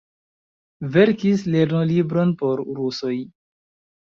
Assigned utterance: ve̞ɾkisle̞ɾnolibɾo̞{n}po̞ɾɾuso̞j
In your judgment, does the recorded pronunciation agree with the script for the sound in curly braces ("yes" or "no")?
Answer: yes